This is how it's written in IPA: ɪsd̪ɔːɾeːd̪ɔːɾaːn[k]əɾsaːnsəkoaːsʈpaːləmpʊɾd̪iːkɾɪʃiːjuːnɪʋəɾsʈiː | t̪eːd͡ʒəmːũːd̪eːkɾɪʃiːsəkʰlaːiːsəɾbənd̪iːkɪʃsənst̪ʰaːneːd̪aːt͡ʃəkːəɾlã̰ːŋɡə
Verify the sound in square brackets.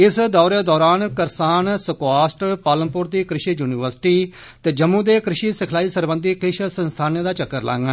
correct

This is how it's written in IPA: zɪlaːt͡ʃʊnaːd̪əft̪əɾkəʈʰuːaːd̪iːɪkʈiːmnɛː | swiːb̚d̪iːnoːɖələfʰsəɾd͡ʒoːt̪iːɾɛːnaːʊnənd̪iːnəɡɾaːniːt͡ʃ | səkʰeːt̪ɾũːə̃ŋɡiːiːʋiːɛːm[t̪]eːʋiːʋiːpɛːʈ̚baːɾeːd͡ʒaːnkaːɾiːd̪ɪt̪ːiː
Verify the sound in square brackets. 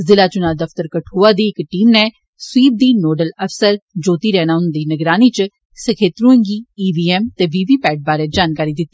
correct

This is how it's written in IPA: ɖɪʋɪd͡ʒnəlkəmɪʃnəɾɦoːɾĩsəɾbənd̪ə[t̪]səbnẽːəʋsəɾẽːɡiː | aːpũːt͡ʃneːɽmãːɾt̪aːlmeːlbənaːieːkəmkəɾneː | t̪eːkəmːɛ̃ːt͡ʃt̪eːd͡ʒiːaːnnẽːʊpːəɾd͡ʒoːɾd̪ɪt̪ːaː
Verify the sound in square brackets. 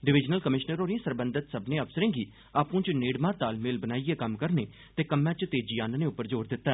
correct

